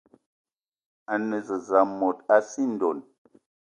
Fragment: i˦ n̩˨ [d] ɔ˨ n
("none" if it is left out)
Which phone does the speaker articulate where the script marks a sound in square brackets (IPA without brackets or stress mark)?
d